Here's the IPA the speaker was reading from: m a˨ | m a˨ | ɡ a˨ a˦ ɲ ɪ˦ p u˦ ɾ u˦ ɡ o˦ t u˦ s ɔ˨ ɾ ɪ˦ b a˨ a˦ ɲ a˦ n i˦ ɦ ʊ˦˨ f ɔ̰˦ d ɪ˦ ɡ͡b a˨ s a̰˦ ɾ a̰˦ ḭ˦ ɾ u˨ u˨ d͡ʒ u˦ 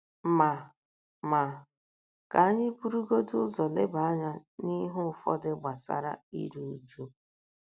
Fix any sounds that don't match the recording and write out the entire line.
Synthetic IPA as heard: m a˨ | m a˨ | k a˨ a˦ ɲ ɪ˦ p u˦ ɾ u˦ ɡ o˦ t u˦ z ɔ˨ l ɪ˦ b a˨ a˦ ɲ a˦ n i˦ ɦ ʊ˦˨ f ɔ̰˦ d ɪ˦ ɡ͡b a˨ s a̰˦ ɾ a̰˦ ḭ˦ ɾ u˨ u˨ d͡ʒ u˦

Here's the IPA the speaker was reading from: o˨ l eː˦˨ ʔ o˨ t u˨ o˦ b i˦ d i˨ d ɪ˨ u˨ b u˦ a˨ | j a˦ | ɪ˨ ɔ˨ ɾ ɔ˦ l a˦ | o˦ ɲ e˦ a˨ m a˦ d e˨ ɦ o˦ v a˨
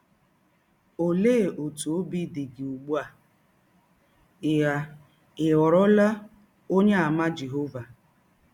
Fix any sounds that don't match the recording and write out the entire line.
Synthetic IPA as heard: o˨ l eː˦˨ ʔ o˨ t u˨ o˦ b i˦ d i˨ ɡ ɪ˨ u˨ ɡ͡b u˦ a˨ | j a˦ | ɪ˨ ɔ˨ ɾ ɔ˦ l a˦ | o˦ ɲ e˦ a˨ m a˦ d͡ʒ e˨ ɦ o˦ v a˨

